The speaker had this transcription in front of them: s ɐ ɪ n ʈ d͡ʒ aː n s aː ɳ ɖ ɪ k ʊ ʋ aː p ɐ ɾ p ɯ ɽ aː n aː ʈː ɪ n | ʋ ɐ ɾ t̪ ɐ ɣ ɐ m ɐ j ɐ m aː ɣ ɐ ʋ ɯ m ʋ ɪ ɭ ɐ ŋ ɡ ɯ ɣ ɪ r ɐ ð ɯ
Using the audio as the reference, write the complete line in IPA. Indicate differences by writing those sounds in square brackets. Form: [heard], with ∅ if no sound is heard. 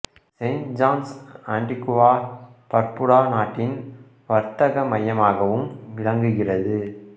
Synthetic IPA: s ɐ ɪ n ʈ d͡ʒ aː n s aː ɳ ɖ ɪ k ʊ ʋ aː p ɐ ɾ p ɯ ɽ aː n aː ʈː ɪ n | ʋ ɐ ɾ t̪ ɐ ɣ ɐ m ɐ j ɐ m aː ɣ ɐ ʋ ɯ m ʋ ɪ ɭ ɐ ŋ ɡ ɯ ɣ ɪ r ɐ ð ɯ